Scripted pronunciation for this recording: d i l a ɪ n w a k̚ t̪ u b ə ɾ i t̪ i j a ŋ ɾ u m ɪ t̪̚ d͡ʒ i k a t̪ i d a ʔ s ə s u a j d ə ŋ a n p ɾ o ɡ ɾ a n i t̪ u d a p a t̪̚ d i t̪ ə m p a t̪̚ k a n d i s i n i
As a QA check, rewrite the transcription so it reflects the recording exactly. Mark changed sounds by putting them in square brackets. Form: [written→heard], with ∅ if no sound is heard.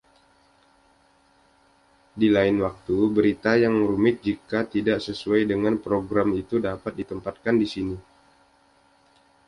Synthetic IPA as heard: d i l a ɪ n w a k̚ t̪ u b ə ɾ i t̪ [i→a] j a ŋ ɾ u m ɪ t̪̚ d͡ʒ i k a t̪ i d a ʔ s ə s u a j d ə ŋ a n p ɾ o ɡ ɾ a [n→m] i t̪ u d a p a t̪̚ d i t̪ ə m p a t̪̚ k a n d i s i n i

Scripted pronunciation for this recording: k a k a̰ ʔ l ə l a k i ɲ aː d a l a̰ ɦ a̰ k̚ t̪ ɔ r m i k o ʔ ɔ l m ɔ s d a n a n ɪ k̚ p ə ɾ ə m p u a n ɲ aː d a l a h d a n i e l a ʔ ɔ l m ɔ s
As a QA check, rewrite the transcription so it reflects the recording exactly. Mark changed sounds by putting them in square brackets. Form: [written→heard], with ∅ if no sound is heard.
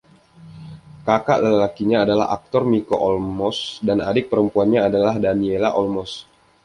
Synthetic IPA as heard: k a k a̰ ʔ l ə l a k i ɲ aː d a l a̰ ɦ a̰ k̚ t̪ ɔ r m i k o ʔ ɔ l m ɔ s d a n a [n→d] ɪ k̚ p ə ɾ ə m p u a n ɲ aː d a l a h d a n i e l a ʔ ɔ l m ɔ s

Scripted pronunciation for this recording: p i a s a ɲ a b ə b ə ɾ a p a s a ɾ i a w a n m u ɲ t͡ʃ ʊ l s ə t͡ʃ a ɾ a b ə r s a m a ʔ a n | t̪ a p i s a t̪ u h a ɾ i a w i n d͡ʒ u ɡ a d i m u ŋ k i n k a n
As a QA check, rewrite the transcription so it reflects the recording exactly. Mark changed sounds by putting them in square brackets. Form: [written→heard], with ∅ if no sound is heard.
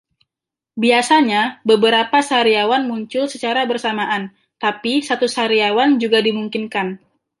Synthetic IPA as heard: [p→b] i a s a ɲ a b ə b ə ɾ a p a s a ɾ i a w a n m u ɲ t͡ʃ ʊ l s ə t͡ʃ a ɾ a b ə r s a m a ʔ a n | t̪ a p i s a t̪ u [h→s] a ɾ i a w [i→a] n d͡ʒ u ɡ a d i m u ŋ k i n k a n

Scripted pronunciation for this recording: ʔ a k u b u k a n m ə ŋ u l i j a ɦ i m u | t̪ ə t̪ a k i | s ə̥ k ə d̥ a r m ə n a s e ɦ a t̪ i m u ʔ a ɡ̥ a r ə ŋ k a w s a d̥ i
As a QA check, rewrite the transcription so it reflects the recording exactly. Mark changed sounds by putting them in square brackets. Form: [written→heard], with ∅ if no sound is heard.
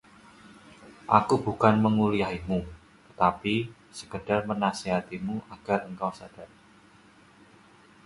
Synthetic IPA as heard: ʔ a k u b u k a n m ə ŋ u l i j a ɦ i m u | t̪ ə t̪ a [k→p] i | s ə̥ k ə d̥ a r m ə n a s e ɦ a t̪ i m u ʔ a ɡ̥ a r ə ŋ k a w s a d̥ [i→a]

